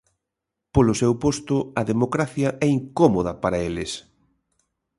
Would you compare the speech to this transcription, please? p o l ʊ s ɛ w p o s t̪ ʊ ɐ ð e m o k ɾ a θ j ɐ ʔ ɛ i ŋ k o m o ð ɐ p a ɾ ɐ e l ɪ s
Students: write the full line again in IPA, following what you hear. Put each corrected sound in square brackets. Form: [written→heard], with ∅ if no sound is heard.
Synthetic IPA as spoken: p o l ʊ s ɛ w p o s t̪ ʊ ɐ ð e m o k ɾ a θ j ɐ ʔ ɛ i ŋ k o m o ð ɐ p a ɾ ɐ e l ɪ s